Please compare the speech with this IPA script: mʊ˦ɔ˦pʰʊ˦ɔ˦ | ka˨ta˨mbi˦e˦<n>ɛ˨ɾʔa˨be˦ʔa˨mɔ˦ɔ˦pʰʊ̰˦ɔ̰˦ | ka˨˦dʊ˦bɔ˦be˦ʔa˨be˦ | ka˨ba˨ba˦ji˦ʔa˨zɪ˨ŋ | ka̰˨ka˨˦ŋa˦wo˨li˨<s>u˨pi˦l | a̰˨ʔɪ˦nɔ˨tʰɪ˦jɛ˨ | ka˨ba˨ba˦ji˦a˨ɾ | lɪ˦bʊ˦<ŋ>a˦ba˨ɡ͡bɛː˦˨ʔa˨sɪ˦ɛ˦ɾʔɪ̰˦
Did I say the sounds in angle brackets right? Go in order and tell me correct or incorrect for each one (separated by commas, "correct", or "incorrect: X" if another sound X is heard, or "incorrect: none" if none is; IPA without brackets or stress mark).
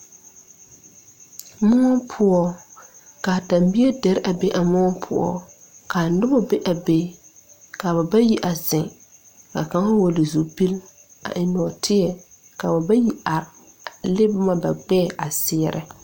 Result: incorrect: d, incorrect: z, incorrect: m